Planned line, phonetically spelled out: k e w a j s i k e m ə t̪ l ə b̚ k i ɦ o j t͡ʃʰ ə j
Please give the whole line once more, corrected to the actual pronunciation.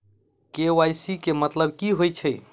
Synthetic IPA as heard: k e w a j s i k e m ə t̪ l ə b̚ k i ɦ o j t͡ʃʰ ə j